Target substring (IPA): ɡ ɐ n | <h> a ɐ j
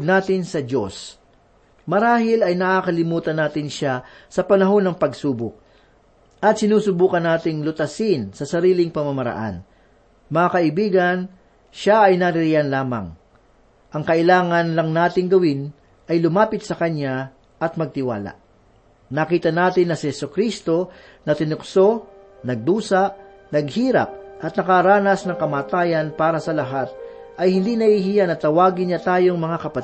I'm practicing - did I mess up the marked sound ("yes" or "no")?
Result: yes